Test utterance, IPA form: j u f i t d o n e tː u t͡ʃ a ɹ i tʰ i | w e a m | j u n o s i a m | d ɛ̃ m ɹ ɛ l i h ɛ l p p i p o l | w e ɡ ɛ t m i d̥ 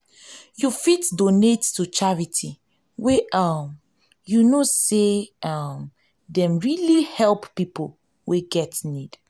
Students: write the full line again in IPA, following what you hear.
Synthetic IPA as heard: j u f i t d o n e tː u t͡ʃ a ɹ i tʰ i | w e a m | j u n o s e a m | d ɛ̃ m ɹ i l i h ɛ l p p i p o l | w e ɡ ɛ t n i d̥